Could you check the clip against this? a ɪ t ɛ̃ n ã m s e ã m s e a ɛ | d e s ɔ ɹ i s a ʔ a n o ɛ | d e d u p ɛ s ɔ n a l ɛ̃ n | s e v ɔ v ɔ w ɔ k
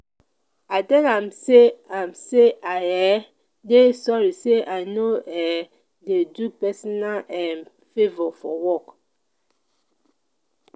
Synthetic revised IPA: a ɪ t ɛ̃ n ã m s e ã m s e a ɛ | d e s ɔ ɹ i s e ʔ a n o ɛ | d e d u p ɛ s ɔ n a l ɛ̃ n | f e v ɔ f ɔ w ɔ k